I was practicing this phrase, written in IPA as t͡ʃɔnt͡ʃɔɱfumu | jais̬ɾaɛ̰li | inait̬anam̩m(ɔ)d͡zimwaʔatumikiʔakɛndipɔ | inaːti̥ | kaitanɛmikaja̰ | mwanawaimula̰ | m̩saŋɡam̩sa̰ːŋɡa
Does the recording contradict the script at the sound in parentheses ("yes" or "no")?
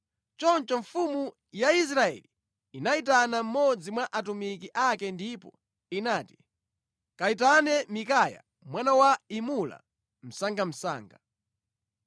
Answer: no